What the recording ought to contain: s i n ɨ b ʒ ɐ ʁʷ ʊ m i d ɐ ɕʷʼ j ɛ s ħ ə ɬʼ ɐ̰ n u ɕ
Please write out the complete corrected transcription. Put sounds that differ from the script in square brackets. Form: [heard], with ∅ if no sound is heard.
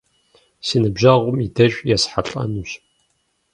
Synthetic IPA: s i n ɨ b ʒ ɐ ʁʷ ʊ m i d ɐ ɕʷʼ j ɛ s ħ [a] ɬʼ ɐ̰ n u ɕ